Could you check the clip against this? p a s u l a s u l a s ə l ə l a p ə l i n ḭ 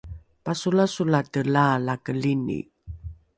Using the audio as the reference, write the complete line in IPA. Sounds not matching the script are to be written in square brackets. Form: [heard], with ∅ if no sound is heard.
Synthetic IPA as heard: p a s u l a s u l a [t] ə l [a] l a [k] ə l i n ḭ